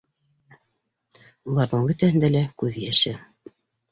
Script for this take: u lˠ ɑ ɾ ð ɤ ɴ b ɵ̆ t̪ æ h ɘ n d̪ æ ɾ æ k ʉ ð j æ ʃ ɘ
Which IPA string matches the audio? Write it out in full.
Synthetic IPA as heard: u lˠ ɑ ɾ ð ɤ ɴ b ɵ̆ t̪ æ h ɘ n d̪ æ l æ k ʉ ð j æ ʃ ɘ